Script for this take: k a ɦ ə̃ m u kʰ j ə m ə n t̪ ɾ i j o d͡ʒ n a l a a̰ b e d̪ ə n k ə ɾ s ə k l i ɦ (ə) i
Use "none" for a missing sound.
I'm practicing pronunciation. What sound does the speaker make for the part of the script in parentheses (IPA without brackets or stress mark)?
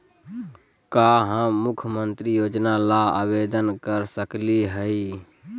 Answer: ə